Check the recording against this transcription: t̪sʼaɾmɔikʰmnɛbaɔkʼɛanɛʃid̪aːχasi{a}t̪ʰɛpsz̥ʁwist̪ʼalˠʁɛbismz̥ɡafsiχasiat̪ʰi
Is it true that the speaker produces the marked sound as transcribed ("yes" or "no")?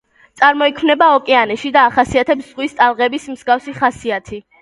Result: yes